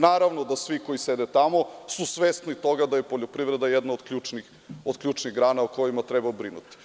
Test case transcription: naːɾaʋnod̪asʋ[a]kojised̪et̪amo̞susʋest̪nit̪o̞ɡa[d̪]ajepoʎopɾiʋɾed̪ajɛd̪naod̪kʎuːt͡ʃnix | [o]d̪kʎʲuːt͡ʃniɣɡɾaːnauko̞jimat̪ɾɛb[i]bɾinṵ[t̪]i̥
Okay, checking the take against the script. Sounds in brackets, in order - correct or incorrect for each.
incorrect, correct, correct, incorrect, correct

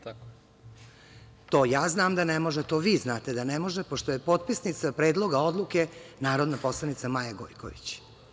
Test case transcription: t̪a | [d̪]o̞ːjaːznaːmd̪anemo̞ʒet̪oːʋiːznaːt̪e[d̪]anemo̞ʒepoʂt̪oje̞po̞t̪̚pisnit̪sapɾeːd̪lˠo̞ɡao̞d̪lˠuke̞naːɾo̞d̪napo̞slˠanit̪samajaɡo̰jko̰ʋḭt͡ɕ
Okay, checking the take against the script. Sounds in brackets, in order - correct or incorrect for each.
incorrect, correct

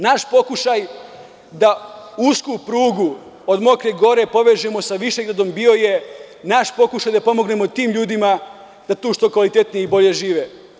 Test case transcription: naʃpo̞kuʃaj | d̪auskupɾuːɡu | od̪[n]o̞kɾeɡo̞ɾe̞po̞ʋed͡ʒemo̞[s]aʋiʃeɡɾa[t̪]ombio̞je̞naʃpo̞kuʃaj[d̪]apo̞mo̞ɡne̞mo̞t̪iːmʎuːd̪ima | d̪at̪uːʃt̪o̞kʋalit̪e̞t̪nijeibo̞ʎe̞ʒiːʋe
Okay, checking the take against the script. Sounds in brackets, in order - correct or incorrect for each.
incorrect, correct, incorrect, correct

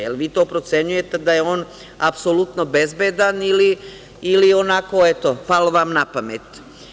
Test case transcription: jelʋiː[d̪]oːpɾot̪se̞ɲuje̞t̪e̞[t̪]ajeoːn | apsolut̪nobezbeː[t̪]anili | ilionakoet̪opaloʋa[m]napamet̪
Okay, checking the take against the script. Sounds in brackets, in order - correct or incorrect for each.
incorrect, incorrect, incorrect, correct

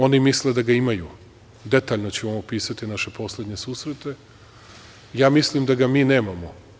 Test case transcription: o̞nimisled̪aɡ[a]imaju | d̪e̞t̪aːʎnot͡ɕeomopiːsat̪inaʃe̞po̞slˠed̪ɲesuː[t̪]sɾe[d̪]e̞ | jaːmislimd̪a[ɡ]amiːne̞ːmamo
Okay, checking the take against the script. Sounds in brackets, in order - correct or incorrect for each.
correct, incorrect, incorrect, correct

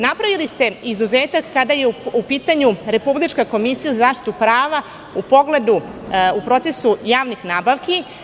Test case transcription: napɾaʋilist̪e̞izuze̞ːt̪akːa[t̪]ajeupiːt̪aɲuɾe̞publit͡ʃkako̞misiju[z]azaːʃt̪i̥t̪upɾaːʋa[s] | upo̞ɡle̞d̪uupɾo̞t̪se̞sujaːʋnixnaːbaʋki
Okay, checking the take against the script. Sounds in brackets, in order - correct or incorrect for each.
incorrect, correct, incorrect

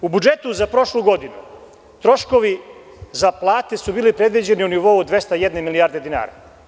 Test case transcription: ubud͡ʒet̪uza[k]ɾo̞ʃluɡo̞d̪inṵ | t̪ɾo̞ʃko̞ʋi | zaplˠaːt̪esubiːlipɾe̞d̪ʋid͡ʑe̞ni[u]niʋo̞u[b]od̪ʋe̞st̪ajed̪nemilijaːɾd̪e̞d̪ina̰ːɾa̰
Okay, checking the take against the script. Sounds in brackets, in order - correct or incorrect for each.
incorrect, correct, incorrect

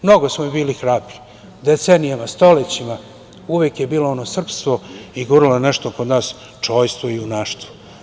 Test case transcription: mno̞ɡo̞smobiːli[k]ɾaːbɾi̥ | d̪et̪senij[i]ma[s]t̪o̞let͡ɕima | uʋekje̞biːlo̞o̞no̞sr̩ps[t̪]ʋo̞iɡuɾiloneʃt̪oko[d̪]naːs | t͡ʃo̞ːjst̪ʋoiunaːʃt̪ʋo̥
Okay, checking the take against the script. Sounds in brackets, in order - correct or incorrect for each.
incorrect, incorrect, correct, correct, correct

